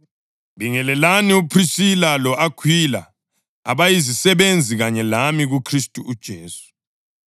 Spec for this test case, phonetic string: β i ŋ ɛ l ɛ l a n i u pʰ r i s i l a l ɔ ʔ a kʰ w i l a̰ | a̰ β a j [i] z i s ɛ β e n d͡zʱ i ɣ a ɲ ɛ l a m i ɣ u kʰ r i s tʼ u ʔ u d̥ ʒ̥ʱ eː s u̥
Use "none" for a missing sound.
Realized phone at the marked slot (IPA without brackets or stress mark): i